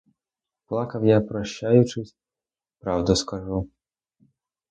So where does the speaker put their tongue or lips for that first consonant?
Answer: lips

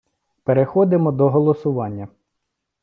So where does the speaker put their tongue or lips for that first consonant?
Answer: lips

